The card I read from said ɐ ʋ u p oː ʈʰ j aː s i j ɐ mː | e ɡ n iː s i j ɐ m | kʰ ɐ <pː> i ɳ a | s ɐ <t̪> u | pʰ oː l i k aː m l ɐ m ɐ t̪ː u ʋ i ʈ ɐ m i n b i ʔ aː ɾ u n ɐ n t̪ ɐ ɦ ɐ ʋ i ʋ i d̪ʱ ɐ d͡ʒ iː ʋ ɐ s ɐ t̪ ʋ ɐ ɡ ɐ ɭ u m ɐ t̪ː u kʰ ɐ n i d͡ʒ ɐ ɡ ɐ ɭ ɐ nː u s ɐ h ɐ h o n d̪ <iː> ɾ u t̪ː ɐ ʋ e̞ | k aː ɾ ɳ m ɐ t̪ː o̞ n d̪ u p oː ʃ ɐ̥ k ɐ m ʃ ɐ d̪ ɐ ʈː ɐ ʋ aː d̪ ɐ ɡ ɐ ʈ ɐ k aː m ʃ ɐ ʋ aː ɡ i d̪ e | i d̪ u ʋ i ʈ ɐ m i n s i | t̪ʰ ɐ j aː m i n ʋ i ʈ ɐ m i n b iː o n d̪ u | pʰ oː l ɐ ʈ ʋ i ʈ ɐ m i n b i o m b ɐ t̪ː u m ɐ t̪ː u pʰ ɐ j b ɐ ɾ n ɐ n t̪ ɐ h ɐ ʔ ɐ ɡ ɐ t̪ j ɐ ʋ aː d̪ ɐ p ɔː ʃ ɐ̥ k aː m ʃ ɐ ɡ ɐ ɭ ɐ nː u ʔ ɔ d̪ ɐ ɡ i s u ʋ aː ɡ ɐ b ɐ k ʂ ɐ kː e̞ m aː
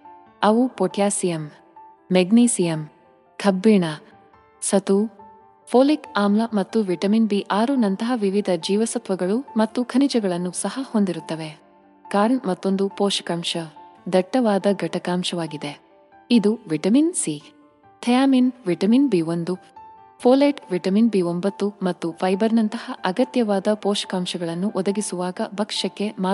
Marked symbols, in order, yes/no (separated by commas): no, yes, no